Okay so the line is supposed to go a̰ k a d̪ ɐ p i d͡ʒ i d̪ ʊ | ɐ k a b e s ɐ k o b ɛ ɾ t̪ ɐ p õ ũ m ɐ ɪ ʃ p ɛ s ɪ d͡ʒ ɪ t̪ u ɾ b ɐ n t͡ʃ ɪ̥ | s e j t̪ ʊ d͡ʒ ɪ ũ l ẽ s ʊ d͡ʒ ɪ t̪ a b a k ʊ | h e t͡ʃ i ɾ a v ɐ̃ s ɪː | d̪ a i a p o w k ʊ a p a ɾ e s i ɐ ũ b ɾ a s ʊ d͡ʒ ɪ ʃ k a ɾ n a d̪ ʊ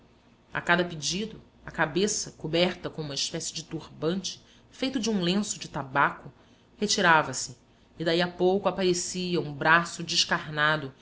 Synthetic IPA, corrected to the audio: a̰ k a d̪ ɐ p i d͡ʒ i d̪ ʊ | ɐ k a b e s ɐ k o b ɛ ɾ t̪ ɐ k õ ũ m ɐ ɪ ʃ p ɛ s ɪ d͡ʒ ɪ t̪ u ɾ b ɐ̃ n t͡ʃ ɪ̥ | f e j t̪ ʊ d͡ʒ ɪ ũ l ẽ s ʊ d͡ʒ ɪ t̪ a b a k ʊ | h e t͡ʃ i ɾ a v ɐ s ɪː | d̪ a i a p o w k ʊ a p a ɾ e s i ɐ ũ b ɾ a s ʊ d͡ʒ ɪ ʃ k a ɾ n a d̪ ʊ